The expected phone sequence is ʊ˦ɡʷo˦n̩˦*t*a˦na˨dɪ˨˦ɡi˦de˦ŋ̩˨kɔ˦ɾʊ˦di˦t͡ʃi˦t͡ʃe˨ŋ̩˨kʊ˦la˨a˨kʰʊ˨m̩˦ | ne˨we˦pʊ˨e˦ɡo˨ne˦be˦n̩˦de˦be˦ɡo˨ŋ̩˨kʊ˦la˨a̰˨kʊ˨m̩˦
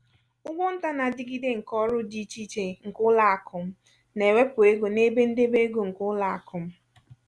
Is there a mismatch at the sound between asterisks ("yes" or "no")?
no